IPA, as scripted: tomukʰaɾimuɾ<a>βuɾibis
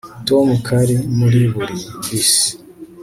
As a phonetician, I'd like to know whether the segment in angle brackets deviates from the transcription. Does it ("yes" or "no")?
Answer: yes